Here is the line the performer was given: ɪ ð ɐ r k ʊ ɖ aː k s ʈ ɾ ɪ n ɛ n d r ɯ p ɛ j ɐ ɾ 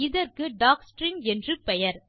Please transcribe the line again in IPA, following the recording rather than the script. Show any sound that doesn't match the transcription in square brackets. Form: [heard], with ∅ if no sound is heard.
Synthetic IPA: ɪ ð ɐ r k [ɯ] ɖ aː k s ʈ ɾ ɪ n ɛ n d r ɯ p ɛ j ɐ ɾ